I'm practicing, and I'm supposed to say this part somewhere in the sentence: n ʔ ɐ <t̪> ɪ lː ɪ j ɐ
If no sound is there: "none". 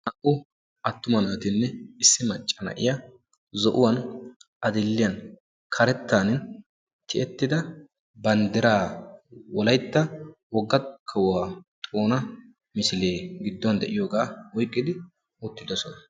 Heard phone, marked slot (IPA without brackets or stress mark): d̪